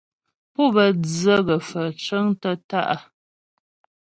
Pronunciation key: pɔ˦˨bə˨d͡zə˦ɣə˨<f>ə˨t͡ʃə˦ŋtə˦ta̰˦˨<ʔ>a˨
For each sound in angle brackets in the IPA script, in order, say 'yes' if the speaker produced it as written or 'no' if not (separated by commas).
yes, yes